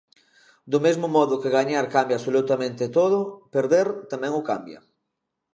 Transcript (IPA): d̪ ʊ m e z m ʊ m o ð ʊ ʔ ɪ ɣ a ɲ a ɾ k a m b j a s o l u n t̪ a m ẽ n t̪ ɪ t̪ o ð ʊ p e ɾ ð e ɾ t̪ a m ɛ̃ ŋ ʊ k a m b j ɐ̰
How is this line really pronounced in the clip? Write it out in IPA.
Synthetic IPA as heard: d̪ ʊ m e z m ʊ m ɔ ð ʊ k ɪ ɣ a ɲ a ɾ k a m b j a s o l u t̪ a m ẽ n t̪ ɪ t̪ o ð ʊ p e ɾ ð e ɾ t̪ a m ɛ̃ ŋ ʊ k a m b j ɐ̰

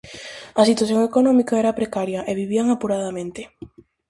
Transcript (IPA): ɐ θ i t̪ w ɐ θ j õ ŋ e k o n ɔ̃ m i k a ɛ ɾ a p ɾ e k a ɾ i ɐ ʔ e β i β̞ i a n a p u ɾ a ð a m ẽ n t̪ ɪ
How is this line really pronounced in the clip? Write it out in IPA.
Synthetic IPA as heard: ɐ s i t̪ w a θ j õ ŋ e k o n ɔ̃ m i k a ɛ ɾ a p ɾ e k a ɾ j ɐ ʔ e β i β̞ i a ŋ a p u ɾ a ð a m ẽ n t̪ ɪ

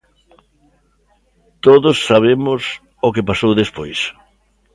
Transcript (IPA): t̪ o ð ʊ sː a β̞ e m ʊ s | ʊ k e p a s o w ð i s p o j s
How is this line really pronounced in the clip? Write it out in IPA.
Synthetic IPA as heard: t̪ o ð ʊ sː a β̞ e m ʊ s | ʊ k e p a s o w ð e s p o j s

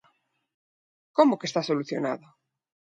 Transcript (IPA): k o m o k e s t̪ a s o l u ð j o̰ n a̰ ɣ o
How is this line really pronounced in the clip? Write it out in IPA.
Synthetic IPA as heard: k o m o k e s t̪ a s o l u θ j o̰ n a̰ ð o

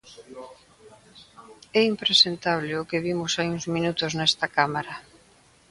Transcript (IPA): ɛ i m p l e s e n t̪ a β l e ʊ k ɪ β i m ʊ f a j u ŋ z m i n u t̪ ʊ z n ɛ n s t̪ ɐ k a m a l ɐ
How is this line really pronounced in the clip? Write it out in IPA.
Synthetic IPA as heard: ɛ i m p ɾ e s e n t̪ a β l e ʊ k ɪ β i m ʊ s a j u ŋ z m i n u t̪ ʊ z n ɛ s t̪ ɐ k a m a ɾ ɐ

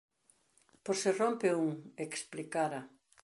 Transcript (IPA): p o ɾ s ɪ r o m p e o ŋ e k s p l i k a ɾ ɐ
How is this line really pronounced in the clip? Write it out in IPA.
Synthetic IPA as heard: p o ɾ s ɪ r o m p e u ŋ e k s p l i k a ɾ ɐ

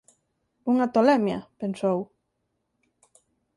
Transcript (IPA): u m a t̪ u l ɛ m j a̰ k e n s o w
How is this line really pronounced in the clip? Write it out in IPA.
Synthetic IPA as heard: u ŋ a t̪ o l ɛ m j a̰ p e n s o w

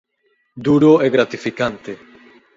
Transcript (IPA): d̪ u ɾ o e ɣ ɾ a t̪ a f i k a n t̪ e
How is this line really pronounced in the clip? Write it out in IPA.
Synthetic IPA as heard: d̪ u ɾ o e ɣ ɾ a t̪ i f i k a n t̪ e

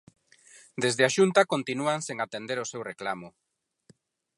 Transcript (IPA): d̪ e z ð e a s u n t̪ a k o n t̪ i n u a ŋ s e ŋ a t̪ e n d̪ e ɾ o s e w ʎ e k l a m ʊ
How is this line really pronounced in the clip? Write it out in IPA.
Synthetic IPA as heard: d̪ e z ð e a ʃ u n t̪ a k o n t̪ i n u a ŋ s e ŋ a t̪ e n d̪ e ɾ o s e w r e k l a m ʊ

